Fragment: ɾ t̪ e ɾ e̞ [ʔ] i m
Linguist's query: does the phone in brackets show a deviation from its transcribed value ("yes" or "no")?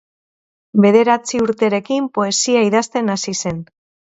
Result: yes